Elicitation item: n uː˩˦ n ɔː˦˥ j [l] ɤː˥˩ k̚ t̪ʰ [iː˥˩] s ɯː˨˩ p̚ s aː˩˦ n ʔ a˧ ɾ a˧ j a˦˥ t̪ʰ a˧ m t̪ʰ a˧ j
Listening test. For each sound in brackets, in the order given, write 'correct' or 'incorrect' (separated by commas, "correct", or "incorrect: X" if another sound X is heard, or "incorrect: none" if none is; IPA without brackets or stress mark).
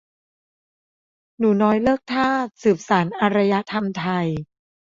correct, incorrect: aː˥˩